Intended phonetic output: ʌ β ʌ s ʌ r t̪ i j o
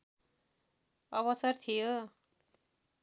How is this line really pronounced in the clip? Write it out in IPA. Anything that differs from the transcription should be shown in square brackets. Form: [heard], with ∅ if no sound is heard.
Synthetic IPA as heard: ʌ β ʌ s ʌ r [t̪ʰ] i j o